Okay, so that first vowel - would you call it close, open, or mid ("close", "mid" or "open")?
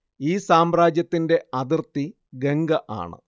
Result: close